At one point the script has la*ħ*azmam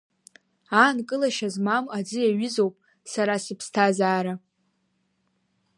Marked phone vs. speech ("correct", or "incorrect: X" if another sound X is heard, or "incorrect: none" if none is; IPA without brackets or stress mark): incorrect: ʃ